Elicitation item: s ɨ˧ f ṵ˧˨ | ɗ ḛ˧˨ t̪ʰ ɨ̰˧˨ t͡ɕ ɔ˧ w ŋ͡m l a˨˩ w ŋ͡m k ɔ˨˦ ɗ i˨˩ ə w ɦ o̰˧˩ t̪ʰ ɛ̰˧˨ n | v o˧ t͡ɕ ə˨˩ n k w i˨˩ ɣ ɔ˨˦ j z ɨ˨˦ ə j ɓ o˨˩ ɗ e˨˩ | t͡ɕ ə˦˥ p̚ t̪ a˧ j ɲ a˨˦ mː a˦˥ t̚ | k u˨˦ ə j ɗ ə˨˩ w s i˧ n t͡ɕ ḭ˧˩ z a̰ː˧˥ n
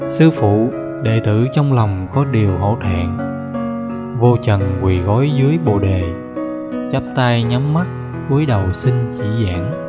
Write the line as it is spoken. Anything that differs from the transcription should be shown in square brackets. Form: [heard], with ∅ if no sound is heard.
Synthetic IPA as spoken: s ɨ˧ f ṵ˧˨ | ɗ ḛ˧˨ [t̪] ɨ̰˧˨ t͡ɕ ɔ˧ w ŋ͡m l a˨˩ w ŋ͡m k ɔ˨˦ ɗ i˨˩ ə w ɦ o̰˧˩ t̪ʰ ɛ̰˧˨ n | v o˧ t͡ɕ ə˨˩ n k w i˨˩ ɣ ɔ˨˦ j z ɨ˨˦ ə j ɓ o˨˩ ɗ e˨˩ | t͡ɕ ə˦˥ p̚ t̪ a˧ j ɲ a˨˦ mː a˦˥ t̚ | k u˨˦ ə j ɗ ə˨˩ w s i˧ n t͡ɕ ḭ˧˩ z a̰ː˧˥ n

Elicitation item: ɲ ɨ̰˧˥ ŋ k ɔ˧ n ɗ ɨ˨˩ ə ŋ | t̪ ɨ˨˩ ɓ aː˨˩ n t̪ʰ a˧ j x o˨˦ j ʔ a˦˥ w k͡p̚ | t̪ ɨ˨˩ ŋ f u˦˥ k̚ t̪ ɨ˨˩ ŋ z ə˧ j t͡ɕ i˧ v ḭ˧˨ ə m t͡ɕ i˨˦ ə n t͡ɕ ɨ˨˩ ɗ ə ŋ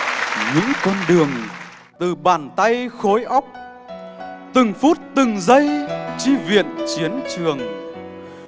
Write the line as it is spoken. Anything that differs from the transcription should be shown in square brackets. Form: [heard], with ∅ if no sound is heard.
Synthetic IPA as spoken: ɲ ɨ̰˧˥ ŋ k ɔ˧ n ɗ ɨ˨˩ ə ŋ | t̪ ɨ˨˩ ɓ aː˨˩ n [t̪] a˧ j x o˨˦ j ʔ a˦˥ w k͡p̚ | t̪ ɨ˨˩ ŋ f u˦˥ [t̚] t̪ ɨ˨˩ ŋ z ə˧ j t͡ɕ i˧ v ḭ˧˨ ə [n] t͡ɕ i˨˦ ə n t͡ɕ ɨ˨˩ [∅] ə ŋ

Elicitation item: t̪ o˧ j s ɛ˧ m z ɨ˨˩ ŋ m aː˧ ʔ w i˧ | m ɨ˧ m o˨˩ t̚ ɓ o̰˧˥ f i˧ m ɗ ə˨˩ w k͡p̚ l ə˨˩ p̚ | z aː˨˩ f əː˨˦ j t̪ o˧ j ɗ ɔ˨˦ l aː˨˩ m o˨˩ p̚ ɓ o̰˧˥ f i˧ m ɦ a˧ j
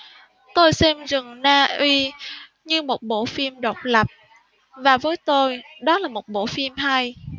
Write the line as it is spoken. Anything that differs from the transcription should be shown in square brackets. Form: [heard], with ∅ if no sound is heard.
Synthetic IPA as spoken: t̪ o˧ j s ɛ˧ m z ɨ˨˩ ŋ [n] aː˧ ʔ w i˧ | [ɲ] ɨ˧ m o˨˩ t̚ ɓ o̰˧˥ f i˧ m ɗ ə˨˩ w k͡p̚ l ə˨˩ p̚ | [v] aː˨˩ [v] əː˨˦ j t̪ o˧ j ɗ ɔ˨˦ l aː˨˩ m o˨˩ [t̚] ɓ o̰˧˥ f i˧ m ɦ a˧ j

